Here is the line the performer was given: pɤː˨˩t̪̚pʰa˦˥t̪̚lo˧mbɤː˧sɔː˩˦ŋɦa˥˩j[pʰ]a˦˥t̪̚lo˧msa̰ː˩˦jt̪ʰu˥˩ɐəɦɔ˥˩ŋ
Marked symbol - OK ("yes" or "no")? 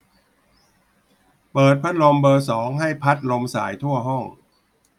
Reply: yes